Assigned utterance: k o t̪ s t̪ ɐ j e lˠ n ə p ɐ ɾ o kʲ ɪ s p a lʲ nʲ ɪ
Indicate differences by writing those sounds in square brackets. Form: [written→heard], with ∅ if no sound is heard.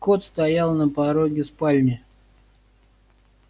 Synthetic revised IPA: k o t̪ s t̪ ɐ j [e→a] lˠ n ə p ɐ ɾ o [kʲ→ɡʲ] ɪ s p a lʲ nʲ ɪ